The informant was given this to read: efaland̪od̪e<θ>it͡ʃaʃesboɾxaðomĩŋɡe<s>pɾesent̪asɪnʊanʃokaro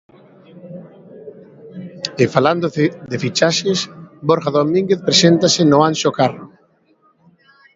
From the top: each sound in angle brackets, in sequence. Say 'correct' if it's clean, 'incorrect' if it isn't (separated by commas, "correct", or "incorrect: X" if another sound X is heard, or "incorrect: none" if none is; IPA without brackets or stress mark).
incorrect: f, incorrect: θ